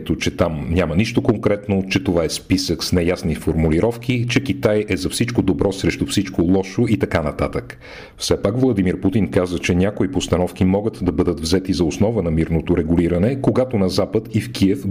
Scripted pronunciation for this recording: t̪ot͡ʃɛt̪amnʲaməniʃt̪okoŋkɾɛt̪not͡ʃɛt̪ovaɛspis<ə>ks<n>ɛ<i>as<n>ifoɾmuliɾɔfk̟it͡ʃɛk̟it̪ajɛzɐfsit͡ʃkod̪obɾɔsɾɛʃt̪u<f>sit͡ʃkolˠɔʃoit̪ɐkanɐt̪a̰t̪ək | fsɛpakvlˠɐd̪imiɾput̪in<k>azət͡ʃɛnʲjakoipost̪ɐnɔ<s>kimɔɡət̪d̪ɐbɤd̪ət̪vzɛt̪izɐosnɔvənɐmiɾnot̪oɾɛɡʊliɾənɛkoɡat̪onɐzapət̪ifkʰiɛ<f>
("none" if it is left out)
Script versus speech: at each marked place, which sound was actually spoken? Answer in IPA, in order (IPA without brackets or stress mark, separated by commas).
ə, n, j, n, f, k, f, f